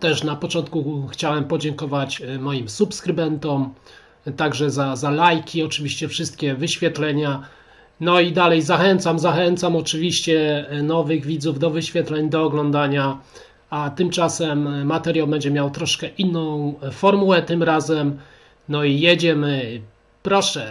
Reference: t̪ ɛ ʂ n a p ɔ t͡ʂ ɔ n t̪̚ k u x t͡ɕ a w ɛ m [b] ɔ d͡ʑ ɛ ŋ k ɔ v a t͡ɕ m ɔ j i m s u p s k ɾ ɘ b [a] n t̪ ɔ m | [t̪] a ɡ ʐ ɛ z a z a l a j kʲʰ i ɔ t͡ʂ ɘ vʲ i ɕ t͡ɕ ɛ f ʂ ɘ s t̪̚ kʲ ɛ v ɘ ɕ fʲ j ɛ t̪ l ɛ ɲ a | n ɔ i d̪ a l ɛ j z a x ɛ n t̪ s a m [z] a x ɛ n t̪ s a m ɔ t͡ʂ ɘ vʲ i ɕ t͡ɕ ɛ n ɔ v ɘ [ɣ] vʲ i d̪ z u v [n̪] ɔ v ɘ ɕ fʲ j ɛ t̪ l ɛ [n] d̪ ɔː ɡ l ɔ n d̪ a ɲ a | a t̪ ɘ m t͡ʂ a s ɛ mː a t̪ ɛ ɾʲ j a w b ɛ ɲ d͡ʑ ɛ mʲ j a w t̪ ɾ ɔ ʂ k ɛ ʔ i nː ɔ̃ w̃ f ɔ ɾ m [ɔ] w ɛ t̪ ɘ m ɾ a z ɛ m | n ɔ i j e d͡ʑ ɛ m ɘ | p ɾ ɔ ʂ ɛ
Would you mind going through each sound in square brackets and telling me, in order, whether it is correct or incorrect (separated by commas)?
incorrect, incorrect, correct, correct, correct, incorrect, incorrect, incorrect